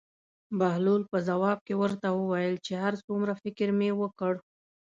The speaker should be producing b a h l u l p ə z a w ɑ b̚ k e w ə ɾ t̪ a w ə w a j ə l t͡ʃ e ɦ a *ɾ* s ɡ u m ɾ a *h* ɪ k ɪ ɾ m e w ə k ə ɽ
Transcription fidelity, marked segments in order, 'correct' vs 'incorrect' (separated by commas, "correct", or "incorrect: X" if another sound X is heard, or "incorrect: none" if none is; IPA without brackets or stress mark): correct, incorrect: f